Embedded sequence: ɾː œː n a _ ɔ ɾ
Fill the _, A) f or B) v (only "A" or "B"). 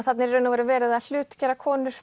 B